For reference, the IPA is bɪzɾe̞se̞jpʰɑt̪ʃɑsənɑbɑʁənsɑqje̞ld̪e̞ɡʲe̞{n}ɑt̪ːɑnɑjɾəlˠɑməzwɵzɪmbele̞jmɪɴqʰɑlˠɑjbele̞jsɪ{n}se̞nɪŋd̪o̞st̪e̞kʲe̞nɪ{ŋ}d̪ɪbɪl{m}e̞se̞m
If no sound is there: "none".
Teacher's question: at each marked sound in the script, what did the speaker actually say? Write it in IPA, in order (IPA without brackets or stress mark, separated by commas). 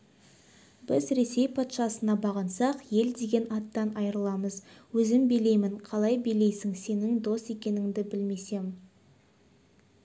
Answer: n, ŋ, ŋ, m